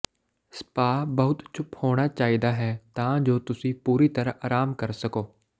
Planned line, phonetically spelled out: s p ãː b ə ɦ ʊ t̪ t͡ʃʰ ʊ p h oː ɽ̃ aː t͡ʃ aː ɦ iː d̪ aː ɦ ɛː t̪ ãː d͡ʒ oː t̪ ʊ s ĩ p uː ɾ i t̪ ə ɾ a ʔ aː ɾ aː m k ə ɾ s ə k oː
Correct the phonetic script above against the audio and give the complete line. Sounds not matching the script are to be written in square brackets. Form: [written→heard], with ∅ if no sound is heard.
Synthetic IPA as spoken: s p [ãː→aː] b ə ɦ ʊ t̪ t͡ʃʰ ʊ p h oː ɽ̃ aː t͡ʃ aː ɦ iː d̪ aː ɦ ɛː t̪ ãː d͡ʒ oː t̪ ʊ s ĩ p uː ɾ i t̪ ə ɾ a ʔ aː ɾ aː m k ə ɾ s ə k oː